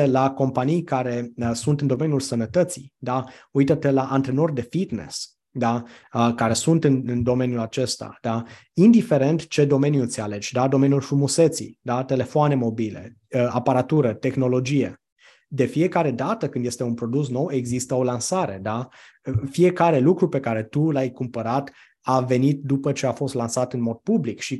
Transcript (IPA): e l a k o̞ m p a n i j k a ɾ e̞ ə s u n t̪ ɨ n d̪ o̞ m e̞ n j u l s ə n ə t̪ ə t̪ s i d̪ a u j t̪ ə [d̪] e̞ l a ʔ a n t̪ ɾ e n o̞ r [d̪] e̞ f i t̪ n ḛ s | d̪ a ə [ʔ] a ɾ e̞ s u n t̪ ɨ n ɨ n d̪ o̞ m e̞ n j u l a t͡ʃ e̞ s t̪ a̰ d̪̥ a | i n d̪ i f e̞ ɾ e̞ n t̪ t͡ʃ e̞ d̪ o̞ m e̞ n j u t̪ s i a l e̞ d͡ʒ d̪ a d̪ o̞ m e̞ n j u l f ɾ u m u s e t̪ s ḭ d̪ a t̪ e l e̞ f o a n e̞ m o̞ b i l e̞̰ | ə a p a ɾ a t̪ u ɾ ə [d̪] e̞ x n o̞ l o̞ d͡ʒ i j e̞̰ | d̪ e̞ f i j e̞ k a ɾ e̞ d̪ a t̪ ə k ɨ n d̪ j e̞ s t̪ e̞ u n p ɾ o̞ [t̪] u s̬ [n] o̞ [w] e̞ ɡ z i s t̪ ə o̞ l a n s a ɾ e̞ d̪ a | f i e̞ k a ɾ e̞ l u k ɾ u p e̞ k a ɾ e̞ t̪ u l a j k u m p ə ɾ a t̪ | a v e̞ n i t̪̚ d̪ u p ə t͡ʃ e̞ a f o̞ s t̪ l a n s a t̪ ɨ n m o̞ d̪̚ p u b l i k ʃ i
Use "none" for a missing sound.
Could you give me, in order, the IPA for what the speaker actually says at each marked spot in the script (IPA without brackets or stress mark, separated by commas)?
t̪, d̪, k, t̪, d̪, n, w